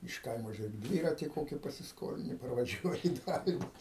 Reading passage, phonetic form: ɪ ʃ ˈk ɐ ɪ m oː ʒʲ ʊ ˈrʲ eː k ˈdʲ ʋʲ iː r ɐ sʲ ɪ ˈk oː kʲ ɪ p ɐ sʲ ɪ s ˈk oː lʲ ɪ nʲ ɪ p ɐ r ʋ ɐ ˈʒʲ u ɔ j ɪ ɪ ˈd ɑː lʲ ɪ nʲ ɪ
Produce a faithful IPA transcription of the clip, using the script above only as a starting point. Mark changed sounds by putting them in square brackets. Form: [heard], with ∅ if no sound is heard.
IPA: ɪ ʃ ˈk ɐ ɪ m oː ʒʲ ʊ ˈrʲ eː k ˈdʲ ʋʲ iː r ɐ [tʲ] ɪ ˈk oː kʲ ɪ p ɐ sʲ ɪ s ˈk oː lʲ ɪ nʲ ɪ p ɐ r ʋ ɐ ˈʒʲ u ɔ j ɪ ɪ ˈd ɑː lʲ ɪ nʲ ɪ